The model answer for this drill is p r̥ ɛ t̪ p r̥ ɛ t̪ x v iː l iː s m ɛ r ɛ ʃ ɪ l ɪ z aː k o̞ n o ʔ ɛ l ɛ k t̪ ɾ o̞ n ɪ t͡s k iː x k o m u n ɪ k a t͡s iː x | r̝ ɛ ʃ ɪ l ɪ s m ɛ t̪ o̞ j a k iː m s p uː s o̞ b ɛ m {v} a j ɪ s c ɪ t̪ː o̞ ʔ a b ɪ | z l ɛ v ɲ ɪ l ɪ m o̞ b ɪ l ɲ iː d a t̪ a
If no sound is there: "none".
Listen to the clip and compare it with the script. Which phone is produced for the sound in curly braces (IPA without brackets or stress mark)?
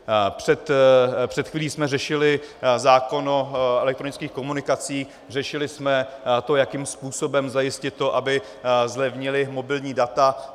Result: z